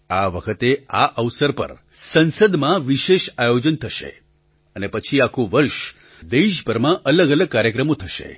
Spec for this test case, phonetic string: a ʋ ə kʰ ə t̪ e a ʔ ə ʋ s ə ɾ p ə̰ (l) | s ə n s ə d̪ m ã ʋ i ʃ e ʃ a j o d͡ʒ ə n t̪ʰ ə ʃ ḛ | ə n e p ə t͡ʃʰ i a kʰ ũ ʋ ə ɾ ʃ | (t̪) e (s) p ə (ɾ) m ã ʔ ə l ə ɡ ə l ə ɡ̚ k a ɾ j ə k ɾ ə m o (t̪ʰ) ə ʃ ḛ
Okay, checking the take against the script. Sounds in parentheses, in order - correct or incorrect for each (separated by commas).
incorrect, incorrect, incorrect, correct, correct